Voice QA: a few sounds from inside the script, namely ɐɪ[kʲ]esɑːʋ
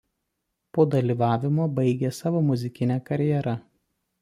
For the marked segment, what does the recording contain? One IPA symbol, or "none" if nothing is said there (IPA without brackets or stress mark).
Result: ɡʲ